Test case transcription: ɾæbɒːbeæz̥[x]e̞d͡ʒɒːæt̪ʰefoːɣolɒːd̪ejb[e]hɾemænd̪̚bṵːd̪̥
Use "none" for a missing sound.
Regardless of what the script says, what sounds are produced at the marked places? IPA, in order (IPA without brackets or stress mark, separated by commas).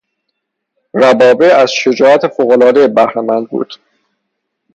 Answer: ʃ, æ